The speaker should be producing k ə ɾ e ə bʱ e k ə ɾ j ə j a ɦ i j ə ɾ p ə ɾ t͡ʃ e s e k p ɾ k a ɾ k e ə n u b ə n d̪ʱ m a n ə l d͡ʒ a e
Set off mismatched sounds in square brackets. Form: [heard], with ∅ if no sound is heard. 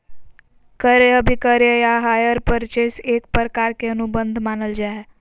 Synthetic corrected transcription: k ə ɾ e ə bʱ [i] k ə ɾ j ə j a ɦ [a] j ə ɾ p ə ɾ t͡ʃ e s e k p ɾ k a ɾ k e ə n u b ə n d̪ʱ m a n ə l d͡ʒ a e